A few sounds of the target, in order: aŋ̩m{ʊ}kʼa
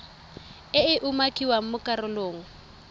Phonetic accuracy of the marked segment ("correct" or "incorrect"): correct